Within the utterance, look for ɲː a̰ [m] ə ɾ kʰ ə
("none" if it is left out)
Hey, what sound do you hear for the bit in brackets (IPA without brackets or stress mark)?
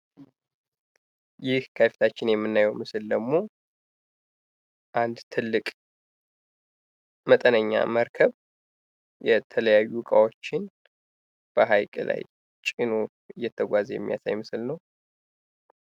m